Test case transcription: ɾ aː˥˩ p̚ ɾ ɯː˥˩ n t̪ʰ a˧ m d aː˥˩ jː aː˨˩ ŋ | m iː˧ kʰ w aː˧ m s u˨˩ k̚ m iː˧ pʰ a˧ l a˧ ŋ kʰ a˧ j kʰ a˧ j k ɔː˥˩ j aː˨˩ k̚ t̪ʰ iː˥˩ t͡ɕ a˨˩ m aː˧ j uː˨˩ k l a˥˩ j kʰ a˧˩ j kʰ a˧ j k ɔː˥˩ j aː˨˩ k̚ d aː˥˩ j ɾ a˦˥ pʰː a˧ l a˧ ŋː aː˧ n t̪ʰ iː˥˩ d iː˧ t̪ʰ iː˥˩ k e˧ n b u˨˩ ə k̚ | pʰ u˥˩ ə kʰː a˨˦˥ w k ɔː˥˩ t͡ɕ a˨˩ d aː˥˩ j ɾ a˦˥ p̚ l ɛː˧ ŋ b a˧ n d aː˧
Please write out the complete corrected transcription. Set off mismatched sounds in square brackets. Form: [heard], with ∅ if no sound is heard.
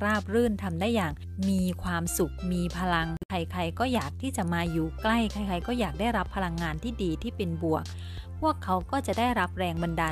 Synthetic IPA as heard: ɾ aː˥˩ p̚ ɾ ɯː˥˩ n t̪ʰ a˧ m d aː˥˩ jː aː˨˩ ŋ | m iː˧ kʰ w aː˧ m s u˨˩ k̚ m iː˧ pʰ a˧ l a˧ ŋ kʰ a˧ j kʰ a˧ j k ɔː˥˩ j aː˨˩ k̚ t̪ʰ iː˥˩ t͡ɕ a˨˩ m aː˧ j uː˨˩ k l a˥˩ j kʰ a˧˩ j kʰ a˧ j k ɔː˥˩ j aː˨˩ k̚ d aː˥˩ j ɾ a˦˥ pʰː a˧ l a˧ ŋː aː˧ n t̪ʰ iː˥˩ d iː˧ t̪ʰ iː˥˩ [p] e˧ n b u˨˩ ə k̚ | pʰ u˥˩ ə kʰː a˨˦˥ w k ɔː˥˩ t͡ɕ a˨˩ d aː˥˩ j ɾ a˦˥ p̚ [ɾ] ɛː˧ ŋ b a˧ n d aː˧